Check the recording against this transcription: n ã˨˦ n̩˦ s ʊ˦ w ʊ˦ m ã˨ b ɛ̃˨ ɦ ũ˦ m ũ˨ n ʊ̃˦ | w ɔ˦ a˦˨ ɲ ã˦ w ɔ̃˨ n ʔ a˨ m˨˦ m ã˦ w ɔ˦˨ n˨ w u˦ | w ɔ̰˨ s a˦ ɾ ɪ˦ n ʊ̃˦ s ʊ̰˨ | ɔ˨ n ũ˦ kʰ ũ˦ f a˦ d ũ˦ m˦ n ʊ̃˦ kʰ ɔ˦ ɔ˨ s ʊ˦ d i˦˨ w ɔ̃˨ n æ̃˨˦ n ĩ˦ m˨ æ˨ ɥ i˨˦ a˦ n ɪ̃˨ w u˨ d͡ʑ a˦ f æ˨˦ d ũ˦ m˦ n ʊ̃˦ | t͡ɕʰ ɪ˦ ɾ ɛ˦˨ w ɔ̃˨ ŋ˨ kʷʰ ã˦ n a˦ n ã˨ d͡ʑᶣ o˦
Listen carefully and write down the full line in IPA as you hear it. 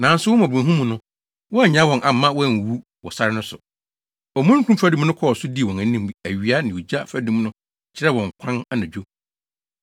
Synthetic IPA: n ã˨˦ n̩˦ s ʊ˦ w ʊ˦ m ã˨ b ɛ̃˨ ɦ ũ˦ m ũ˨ n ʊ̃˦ | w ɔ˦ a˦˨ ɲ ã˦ w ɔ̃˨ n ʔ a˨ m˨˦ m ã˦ w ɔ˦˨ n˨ w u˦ | w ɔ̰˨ s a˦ ɾ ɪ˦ n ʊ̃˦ s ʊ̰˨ | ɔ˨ m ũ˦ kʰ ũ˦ f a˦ d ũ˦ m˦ n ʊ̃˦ kʰ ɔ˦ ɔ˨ s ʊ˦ d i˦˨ w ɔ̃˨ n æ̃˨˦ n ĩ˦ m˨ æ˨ ɥ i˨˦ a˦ n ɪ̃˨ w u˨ d͡ʑ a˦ f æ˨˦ d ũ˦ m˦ n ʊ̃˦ | t͡ɕʰ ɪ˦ ɾ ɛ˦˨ w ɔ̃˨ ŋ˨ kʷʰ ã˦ n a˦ n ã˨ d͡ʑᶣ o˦